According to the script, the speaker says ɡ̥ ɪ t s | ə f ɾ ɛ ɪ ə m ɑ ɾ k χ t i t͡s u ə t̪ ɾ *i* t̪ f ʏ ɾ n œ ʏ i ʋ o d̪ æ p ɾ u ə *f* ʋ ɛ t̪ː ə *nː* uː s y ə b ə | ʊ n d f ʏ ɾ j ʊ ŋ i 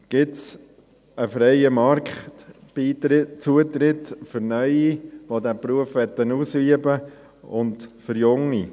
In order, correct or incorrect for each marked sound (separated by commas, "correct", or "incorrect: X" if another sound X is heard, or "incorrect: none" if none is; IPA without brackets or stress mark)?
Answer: incorrect: ɪ, correct, incorrect: n